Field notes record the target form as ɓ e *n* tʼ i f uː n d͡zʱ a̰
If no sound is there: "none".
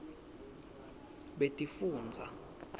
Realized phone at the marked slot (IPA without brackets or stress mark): none